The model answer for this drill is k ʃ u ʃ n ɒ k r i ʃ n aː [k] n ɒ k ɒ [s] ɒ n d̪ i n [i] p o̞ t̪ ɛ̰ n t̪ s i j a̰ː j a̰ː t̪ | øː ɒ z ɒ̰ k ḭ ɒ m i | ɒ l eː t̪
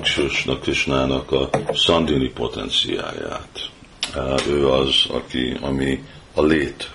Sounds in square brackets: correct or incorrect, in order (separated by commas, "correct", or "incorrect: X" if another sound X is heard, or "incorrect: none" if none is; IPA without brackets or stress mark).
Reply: incorrect: none, correct, correct